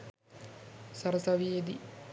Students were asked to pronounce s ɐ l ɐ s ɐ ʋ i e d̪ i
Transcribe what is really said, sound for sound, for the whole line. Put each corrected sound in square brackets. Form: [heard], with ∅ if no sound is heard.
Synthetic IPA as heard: s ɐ [ɾ] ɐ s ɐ ʋ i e d̪ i